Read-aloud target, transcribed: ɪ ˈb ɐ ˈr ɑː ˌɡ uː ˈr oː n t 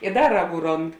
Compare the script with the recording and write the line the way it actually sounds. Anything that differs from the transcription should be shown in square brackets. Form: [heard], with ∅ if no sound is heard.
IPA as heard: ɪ [ˈd] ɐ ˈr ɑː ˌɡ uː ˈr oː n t